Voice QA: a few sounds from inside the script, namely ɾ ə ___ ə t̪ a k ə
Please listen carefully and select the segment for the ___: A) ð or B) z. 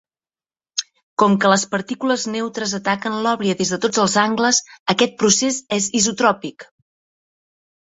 B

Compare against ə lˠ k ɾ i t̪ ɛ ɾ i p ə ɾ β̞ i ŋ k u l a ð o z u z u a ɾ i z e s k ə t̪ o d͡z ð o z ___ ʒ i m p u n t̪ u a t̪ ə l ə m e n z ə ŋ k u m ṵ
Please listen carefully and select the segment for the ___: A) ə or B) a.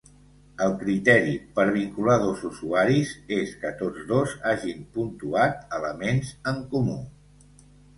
B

